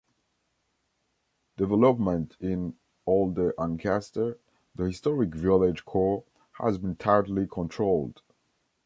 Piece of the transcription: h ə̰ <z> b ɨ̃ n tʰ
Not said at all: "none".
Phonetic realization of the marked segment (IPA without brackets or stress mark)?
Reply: z